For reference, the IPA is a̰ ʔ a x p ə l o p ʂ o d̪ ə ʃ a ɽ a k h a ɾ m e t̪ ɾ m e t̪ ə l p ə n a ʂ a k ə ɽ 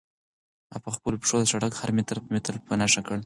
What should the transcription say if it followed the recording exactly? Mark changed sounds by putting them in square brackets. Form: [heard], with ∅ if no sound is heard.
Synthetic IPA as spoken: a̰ [p] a x p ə l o p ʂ o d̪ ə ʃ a ɽ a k h a ɾ m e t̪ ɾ m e t̪ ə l p ə n a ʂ a k ə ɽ